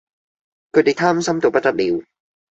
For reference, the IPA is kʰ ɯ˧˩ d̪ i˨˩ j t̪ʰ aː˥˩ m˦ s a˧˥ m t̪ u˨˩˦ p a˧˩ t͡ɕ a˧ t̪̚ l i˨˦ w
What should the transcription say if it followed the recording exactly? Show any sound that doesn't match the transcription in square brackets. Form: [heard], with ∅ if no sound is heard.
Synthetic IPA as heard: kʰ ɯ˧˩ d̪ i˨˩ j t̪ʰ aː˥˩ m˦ s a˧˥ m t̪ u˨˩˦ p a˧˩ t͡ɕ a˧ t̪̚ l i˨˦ w